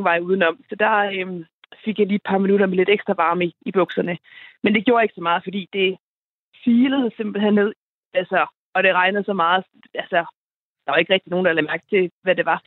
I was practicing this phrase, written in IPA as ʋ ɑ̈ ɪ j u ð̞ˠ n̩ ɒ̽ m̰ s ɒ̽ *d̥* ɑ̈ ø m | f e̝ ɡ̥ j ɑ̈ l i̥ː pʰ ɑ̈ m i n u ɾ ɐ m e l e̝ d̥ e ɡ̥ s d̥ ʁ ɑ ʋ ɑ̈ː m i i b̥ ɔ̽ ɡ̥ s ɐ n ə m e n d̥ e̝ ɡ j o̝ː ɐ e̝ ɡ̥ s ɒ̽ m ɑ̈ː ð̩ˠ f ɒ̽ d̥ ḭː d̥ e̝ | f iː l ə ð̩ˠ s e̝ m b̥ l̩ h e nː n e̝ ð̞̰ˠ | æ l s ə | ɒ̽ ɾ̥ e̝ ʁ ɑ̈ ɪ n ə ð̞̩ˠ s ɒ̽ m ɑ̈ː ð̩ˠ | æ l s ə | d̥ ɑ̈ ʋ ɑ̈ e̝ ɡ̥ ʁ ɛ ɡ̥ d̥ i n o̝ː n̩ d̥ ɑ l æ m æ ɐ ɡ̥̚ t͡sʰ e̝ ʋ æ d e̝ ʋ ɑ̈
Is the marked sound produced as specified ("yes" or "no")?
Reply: yes